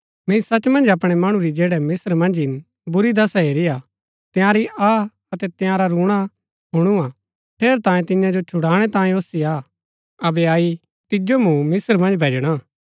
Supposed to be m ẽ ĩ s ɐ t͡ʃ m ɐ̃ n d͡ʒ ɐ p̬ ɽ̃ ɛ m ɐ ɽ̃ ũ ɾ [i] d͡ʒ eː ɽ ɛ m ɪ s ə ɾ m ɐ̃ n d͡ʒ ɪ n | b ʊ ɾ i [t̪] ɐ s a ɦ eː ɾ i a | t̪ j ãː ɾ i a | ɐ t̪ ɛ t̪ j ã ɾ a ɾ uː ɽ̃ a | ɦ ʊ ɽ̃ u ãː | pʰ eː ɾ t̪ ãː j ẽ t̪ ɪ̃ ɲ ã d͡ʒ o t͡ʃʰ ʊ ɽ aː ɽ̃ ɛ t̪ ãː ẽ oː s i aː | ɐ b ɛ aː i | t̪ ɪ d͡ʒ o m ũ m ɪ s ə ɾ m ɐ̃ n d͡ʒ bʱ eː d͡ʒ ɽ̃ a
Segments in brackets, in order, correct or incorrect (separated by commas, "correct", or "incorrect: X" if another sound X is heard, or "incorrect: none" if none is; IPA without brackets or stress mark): correct, incorrect: d̪